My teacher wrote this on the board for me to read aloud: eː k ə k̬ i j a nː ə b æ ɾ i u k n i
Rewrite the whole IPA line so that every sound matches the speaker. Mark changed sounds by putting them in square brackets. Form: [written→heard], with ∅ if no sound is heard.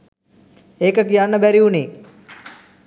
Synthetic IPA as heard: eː k ə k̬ i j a nː ə b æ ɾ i u [k→∅] n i